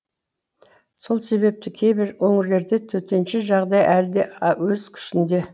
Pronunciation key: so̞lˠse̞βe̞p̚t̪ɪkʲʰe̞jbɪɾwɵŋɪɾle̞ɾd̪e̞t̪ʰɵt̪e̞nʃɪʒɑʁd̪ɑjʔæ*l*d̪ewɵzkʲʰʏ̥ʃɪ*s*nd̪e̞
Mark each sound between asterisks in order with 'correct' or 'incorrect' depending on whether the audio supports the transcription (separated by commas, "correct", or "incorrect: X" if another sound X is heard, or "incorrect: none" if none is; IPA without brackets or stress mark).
correct, incorrect: none